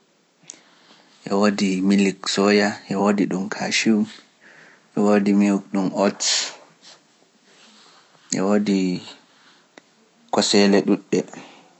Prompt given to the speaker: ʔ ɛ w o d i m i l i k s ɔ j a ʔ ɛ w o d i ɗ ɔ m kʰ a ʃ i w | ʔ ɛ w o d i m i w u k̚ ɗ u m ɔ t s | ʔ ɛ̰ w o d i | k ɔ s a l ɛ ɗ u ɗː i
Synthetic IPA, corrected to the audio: ʔ ɛ w o d i m i l i k s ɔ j a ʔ ɛ w o d i ɗ u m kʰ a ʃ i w | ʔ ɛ w o d i m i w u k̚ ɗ u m ɔ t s | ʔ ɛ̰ w o d i | k ɔ s ɛ l ɛ ɗ u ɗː ɛ